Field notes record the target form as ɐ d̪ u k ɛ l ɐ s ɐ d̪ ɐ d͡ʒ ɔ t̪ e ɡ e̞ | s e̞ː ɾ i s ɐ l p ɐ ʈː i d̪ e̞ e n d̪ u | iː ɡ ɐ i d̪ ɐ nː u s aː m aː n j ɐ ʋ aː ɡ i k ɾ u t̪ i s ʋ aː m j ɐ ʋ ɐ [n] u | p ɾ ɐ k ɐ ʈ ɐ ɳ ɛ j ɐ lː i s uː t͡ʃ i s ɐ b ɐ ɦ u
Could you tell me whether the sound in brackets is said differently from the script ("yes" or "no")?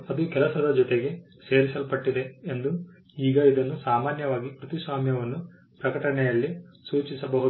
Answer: yes